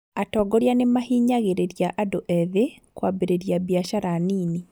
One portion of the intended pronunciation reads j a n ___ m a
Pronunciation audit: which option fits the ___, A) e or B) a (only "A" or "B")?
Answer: A